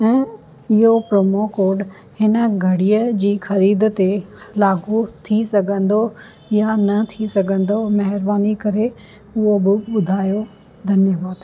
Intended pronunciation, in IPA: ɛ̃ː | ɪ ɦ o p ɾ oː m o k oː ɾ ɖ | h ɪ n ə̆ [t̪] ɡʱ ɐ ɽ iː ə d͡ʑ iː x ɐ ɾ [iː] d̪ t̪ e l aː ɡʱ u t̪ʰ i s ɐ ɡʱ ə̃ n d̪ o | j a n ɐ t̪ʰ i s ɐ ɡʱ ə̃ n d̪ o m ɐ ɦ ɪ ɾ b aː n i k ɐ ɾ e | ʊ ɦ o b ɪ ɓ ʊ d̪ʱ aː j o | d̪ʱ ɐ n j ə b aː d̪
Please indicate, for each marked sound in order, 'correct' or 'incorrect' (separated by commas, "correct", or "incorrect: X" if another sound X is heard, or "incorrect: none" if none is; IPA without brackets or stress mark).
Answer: incorrect: none, correct